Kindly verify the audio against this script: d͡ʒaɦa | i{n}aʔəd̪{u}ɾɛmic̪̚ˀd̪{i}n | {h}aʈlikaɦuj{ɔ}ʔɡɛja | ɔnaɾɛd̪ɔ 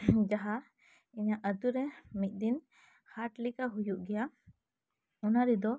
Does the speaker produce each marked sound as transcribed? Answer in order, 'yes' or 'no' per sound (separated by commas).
no, yes, yes, yes, no